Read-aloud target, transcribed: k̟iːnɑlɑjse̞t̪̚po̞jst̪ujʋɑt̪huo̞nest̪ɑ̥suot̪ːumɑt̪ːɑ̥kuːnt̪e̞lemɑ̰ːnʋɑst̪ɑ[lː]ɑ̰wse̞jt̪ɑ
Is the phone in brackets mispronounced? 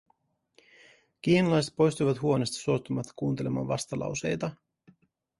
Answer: yes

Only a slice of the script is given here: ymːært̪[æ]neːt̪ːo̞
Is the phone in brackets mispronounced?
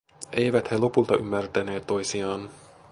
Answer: no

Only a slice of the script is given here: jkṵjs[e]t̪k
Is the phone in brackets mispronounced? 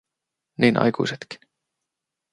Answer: no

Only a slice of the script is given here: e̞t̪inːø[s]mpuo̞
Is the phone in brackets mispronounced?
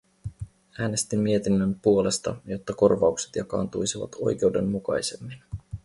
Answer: yes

